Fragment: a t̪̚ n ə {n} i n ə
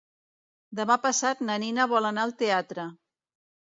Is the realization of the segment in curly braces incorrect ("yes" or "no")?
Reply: no